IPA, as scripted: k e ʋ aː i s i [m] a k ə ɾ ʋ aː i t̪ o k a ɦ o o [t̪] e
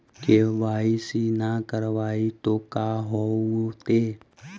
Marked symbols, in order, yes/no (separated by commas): no, yes